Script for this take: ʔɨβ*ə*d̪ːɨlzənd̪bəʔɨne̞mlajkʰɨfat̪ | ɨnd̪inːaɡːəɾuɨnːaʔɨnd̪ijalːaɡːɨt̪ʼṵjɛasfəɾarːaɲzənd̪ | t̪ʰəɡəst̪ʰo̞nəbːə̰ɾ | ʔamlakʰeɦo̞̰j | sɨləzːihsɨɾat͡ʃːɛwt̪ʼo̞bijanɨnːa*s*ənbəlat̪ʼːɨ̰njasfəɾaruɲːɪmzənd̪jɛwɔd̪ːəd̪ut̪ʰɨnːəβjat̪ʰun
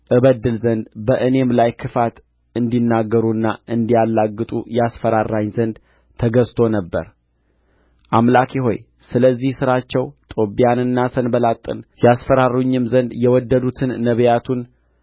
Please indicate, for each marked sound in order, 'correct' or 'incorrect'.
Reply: correct, correct

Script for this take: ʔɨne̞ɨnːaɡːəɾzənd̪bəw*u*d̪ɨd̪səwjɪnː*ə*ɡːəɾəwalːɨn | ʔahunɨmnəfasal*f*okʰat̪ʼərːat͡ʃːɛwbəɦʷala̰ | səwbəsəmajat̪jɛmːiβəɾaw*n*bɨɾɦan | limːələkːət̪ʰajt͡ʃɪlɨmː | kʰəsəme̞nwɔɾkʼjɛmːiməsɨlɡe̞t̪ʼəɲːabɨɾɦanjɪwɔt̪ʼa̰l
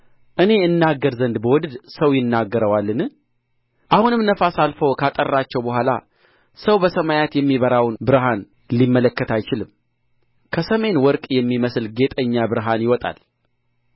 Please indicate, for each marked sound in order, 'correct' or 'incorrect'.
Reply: incorrect, incorrect, correct, correct

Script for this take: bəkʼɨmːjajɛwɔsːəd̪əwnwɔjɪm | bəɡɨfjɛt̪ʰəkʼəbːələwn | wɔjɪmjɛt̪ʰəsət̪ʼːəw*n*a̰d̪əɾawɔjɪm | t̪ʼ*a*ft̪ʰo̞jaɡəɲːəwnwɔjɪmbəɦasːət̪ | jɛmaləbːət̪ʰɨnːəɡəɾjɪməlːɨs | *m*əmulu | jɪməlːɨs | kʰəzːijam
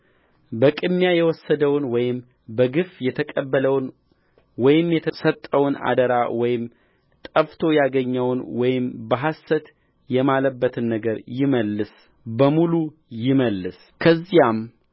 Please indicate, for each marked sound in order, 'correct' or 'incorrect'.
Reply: correct, incorrect, incorrect

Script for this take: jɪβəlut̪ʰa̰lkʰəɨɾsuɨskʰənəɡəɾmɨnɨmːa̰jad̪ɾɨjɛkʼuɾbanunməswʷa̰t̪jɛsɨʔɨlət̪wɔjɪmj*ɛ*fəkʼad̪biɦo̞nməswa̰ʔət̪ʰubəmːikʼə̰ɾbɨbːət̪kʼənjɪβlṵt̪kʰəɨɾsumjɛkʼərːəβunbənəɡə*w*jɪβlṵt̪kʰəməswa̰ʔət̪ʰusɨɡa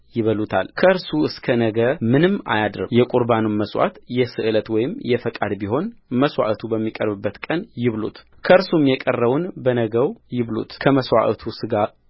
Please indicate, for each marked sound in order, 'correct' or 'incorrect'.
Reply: correct, correct

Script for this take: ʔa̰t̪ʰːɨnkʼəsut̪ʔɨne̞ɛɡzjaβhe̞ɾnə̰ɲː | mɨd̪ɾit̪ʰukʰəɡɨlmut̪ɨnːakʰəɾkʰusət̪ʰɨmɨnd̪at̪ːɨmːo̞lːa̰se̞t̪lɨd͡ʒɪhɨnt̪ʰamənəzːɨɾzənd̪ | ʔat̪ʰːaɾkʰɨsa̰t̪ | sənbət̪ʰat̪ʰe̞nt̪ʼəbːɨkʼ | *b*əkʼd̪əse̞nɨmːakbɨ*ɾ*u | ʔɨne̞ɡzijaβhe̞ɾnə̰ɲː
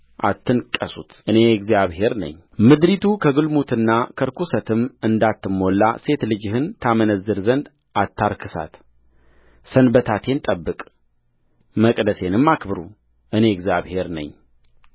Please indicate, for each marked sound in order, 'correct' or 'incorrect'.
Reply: incorrect, correct

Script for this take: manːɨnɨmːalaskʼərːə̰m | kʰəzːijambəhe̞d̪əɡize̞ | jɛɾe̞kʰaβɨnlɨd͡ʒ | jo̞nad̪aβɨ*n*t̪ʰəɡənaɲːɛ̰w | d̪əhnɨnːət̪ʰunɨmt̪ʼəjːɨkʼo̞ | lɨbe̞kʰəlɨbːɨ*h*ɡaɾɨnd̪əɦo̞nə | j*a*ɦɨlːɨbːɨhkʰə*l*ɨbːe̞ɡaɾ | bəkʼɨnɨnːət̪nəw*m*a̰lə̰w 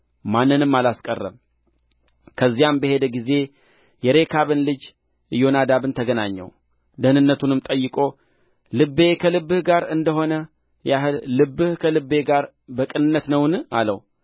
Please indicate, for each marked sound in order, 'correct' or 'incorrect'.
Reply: correct, correct, correct, correct, incorrect

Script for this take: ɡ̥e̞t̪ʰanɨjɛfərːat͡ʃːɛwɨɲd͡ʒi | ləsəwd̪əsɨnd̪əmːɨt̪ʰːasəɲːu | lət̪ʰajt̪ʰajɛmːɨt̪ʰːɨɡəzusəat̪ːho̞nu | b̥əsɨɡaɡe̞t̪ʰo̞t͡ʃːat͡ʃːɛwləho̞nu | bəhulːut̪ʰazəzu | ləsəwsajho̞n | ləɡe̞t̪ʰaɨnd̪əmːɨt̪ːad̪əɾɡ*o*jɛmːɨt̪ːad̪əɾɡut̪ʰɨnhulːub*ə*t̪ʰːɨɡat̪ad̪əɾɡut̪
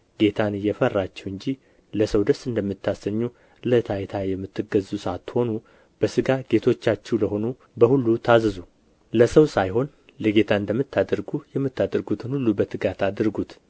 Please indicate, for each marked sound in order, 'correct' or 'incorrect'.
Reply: incorrect, correct

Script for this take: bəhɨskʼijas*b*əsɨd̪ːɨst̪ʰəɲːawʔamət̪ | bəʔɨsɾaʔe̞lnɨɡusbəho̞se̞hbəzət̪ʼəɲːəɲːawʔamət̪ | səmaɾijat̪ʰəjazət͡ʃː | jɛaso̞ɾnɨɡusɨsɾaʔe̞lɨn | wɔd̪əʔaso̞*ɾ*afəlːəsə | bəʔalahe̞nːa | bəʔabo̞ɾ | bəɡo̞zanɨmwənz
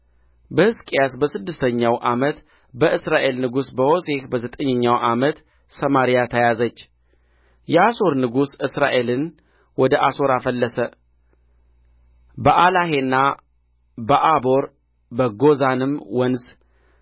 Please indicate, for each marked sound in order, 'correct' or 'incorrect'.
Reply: correct, correct

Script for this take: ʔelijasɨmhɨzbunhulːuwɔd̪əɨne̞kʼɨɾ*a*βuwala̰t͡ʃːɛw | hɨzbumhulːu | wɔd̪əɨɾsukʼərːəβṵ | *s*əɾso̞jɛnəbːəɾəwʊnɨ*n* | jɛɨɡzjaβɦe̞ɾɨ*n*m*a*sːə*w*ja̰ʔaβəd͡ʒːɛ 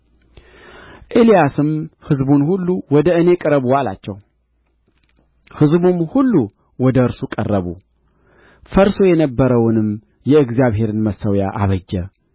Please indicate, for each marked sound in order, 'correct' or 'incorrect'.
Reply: incorrect, incorrect, incorrect, correct, incorrect, correct

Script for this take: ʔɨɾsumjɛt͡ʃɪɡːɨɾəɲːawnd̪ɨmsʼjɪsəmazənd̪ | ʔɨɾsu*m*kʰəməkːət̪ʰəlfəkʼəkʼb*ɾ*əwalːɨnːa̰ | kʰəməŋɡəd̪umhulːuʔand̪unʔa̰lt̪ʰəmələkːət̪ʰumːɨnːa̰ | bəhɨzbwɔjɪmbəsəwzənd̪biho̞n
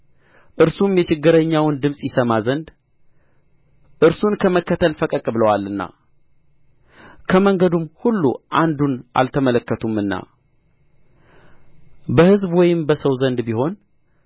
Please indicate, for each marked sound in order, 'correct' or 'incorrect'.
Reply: incorrect, incorrect

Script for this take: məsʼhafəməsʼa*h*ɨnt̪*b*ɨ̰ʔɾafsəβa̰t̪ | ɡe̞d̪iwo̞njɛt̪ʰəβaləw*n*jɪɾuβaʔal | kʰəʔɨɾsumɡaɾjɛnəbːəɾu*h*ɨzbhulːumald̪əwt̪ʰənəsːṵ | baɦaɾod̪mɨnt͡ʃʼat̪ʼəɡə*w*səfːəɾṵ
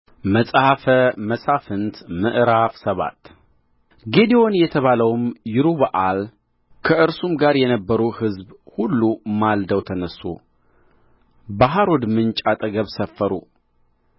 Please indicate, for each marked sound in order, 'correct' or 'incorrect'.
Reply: incorrect, incorrect, incorrect, correct, incorrect

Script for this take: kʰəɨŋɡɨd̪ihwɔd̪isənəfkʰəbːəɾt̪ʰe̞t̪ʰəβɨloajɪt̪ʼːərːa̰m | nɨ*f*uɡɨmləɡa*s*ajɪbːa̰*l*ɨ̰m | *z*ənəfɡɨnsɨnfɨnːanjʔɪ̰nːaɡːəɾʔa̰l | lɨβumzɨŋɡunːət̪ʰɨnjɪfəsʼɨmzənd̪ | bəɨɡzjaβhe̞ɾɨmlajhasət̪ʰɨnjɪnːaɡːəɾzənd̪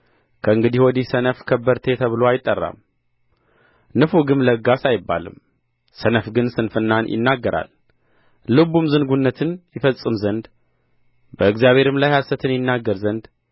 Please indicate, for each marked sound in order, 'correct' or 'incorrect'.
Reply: correct, correct, correct, incorrect

